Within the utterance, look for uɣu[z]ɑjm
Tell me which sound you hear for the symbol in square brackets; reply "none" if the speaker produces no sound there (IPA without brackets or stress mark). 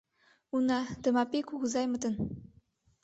z